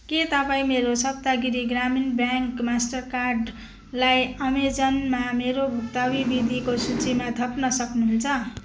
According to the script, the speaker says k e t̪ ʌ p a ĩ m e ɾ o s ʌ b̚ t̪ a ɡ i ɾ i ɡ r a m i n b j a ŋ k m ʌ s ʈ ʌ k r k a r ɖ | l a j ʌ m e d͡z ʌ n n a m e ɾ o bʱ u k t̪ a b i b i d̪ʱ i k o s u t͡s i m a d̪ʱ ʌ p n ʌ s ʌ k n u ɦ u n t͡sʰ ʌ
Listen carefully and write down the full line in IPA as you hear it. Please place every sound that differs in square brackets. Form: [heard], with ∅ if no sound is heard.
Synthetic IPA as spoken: k e t̪ ʌ p a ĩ m e ɾ o s ʌ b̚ t̪ a ɡ i ɾ i ɡ r a m i n b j a ŋ k m [a] s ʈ ʌ [∅] r k a r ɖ | l a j ʌ m e d͡z ʌ n [m] a m e ɾ o bʱ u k t̪ a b i b i d̪ʱ i k o s u t͡s i m a d̪ʱ ʌ p n ʌ s ʌ k n u ɦ u n t͡sʰ ʌ